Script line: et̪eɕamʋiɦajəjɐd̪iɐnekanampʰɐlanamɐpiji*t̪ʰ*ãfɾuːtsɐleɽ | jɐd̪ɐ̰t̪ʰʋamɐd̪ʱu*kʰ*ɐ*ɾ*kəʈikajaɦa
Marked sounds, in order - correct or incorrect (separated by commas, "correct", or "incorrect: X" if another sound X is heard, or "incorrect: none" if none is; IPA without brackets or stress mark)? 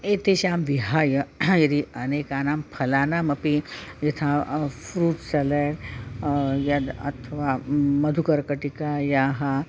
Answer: correct, incorrect: k, correct